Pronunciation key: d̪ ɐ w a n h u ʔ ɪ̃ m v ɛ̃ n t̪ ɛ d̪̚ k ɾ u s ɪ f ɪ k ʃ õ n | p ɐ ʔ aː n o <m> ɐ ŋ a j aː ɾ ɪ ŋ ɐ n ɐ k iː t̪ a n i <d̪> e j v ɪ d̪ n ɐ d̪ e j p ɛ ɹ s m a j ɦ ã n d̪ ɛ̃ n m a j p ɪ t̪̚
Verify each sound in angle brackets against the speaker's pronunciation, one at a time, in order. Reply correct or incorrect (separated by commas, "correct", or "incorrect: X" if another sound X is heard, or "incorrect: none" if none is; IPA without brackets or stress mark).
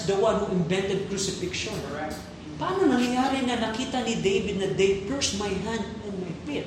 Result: incorrect: n, correct